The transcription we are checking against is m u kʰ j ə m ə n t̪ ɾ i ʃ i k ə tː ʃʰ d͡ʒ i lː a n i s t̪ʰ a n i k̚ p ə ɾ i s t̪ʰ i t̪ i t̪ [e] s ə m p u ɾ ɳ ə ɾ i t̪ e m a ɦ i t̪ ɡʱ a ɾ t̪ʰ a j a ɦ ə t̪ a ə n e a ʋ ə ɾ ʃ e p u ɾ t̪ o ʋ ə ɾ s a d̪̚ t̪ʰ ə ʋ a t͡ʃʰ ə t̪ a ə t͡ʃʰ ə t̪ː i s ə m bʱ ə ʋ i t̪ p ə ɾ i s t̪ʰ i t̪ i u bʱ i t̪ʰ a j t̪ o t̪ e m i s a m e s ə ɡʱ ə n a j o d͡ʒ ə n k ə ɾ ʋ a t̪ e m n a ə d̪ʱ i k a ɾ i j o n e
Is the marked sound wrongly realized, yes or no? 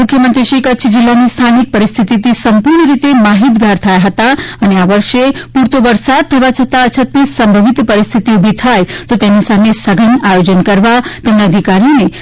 yes